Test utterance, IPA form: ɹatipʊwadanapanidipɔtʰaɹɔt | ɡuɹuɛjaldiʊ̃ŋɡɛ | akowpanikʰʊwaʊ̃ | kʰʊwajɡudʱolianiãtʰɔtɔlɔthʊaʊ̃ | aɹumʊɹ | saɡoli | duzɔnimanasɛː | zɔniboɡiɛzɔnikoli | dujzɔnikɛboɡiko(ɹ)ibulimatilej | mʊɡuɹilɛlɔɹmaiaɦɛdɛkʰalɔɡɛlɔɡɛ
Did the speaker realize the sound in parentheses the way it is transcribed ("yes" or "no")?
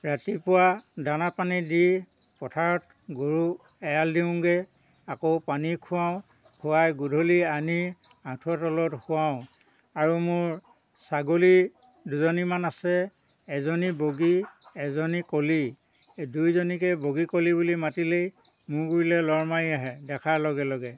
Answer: no